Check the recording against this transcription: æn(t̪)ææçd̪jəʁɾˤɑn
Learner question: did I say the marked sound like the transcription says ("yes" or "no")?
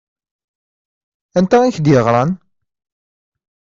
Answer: yes